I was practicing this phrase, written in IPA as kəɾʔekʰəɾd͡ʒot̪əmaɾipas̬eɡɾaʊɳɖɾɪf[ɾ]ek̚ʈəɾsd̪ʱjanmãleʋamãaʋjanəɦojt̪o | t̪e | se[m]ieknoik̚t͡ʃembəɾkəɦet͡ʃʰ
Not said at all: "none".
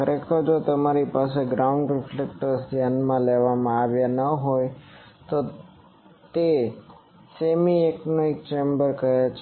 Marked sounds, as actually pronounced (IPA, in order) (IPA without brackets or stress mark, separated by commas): l, m